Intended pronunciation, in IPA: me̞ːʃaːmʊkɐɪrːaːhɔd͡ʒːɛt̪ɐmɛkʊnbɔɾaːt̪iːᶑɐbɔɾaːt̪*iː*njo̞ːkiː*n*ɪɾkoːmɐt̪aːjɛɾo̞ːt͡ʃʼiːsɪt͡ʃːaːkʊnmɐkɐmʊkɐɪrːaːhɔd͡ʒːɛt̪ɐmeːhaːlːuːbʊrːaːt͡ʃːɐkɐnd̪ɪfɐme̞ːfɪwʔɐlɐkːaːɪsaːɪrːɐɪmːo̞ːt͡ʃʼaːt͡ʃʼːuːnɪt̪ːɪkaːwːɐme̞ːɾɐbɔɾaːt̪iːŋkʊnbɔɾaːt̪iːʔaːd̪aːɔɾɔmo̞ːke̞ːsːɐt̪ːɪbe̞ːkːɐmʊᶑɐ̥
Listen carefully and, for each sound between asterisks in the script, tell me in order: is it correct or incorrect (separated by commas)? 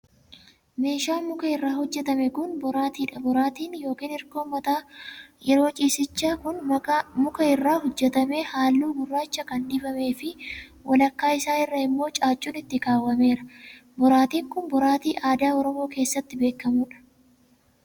correct, correct